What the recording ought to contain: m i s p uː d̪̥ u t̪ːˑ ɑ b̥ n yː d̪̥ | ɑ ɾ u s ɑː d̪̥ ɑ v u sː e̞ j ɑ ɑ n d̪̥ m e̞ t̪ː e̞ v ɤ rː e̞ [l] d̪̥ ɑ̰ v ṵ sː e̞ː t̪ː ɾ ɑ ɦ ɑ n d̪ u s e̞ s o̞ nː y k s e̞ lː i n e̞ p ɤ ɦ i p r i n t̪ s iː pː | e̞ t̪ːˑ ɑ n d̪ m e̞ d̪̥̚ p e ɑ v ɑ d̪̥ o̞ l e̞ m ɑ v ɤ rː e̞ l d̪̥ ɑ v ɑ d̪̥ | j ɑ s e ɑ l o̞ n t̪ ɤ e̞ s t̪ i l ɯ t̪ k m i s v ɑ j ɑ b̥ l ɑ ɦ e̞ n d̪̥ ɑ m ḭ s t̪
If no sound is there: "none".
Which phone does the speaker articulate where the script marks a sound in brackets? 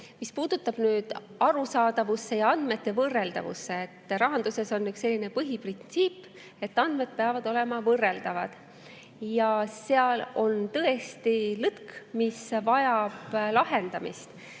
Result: l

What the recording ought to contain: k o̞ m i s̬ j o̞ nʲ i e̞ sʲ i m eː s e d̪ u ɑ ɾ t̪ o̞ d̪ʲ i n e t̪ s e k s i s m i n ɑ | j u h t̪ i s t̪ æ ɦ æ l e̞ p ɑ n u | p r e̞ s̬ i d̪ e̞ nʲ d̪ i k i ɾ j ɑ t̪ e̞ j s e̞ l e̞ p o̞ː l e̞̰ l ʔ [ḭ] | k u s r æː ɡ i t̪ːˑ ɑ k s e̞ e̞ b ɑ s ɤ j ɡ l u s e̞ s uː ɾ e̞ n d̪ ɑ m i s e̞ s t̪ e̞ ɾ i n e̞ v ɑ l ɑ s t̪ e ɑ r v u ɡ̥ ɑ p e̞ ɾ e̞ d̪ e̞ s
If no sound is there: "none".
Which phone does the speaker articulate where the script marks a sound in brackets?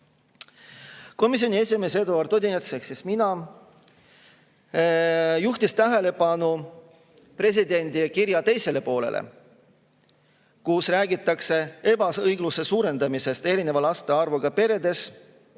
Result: ḛ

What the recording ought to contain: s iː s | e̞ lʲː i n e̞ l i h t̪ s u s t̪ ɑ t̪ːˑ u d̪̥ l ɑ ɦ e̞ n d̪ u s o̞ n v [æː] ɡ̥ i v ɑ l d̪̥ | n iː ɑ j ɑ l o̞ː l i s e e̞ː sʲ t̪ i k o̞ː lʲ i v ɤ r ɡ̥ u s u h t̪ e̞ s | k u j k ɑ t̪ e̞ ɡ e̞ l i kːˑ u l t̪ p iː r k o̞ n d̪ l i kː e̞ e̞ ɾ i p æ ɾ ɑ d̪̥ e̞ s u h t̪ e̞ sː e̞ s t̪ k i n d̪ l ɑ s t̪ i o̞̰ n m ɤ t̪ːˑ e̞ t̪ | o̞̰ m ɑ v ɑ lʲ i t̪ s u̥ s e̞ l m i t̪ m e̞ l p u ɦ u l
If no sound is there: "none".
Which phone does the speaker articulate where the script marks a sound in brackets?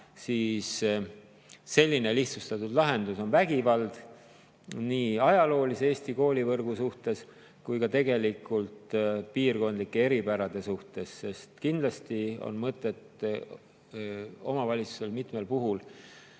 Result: æ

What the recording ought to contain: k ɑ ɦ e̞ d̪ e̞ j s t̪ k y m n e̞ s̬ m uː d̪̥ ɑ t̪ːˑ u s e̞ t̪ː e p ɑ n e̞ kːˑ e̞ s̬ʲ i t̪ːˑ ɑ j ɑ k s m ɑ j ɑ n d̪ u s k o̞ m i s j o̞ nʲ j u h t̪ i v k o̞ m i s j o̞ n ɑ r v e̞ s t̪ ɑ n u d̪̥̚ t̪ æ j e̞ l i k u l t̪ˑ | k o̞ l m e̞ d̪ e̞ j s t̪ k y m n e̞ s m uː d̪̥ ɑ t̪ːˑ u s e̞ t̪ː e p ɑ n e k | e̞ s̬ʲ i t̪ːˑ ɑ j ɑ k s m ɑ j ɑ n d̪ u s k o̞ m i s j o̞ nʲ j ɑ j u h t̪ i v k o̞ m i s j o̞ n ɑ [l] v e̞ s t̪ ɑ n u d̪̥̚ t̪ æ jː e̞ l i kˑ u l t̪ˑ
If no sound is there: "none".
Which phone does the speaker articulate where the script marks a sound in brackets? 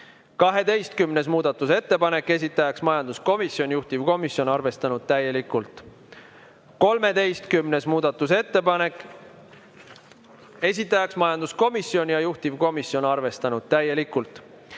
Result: r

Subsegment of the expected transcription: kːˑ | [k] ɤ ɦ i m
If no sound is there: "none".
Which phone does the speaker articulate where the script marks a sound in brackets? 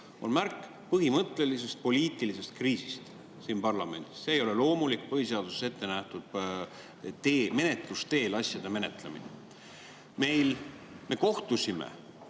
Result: p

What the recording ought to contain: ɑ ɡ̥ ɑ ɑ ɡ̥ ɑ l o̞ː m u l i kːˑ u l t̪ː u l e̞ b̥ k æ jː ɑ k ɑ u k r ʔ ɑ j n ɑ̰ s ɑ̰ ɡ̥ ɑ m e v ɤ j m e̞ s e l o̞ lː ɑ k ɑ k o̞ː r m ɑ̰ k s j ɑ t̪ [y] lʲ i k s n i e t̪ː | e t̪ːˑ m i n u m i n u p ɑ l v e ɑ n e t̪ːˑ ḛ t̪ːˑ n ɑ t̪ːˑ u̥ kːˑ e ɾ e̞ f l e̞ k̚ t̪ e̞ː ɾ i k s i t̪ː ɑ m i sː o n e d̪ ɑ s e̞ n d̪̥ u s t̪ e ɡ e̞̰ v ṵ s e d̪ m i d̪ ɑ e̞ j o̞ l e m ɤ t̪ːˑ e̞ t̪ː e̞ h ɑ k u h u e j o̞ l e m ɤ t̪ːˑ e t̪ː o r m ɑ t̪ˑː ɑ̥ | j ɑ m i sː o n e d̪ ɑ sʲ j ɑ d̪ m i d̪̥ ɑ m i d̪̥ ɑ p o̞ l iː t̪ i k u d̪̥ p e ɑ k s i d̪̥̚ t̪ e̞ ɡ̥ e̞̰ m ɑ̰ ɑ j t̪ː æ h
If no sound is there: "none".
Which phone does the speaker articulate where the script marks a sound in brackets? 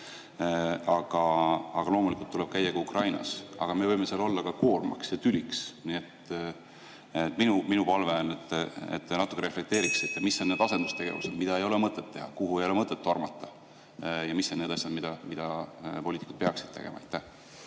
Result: y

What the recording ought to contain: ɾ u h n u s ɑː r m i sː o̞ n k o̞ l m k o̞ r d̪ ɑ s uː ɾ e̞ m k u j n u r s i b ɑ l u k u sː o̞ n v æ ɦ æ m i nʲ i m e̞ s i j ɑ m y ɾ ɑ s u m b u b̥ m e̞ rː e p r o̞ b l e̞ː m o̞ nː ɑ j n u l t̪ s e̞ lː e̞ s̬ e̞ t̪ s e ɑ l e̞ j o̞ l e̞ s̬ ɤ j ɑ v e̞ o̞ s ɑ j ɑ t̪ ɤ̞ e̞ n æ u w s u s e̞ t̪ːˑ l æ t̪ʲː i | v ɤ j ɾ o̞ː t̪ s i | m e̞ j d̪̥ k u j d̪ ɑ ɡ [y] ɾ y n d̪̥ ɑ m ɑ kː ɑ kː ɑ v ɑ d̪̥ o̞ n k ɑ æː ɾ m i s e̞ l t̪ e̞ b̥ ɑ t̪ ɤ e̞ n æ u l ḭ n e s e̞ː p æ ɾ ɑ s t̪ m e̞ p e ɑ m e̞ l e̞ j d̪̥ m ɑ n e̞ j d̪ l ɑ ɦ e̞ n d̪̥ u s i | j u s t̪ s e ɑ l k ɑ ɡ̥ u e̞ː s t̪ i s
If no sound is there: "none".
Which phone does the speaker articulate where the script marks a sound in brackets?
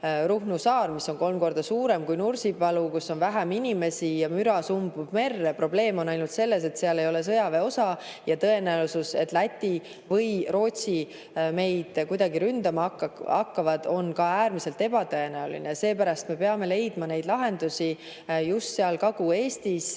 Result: i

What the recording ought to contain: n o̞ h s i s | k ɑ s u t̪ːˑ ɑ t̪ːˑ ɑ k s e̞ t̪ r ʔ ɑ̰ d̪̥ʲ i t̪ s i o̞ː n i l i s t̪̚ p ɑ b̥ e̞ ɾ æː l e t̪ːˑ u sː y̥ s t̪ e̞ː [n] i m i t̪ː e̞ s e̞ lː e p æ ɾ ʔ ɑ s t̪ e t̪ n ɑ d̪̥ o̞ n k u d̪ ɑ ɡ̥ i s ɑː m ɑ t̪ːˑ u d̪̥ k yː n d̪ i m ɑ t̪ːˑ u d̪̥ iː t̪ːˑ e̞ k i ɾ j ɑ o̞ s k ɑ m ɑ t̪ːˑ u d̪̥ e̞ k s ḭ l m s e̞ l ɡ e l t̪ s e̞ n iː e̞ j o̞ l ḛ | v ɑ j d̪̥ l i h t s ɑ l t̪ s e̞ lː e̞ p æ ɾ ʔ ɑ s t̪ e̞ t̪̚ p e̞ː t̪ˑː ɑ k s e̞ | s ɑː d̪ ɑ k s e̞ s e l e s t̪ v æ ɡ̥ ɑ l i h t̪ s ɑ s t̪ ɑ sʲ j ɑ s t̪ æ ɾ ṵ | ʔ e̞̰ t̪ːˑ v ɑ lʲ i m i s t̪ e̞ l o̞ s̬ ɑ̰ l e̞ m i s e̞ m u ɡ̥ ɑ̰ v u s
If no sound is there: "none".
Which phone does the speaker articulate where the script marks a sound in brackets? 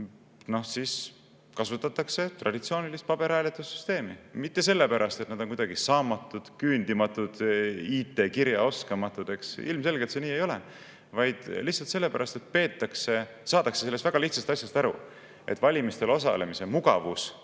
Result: m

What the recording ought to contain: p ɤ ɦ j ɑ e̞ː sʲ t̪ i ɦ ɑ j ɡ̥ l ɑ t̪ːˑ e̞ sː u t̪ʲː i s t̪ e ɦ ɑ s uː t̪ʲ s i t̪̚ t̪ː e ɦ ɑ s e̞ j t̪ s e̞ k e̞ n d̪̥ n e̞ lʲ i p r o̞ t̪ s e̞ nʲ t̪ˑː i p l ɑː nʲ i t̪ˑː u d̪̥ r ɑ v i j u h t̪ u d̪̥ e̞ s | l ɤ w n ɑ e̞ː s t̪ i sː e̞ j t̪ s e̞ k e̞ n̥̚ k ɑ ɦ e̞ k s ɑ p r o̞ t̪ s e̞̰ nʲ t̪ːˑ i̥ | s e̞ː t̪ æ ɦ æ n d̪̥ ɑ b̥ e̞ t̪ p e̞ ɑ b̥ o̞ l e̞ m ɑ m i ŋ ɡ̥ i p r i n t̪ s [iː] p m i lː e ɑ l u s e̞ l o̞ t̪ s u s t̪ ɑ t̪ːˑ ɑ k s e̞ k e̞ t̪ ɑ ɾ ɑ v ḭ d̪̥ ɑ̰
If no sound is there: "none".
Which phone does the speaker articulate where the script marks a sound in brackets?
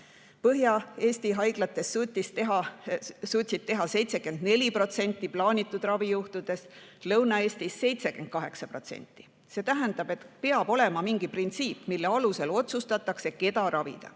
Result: iː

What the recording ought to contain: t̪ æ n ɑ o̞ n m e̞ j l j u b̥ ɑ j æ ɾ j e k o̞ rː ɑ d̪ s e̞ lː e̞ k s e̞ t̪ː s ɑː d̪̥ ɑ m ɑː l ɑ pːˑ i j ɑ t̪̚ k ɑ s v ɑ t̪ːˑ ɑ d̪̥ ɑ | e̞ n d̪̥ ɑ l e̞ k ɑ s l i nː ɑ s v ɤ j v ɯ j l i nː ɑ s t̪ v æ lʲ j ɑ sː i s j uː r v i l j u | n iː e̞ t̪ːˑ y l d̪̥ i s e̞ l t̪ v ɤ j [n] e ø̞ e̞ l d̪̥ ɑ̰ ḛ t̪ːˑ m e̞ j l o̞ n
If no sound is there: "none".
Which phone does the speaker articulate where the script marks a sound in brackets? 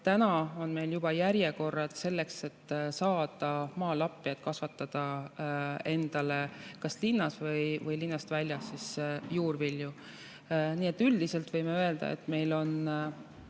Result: m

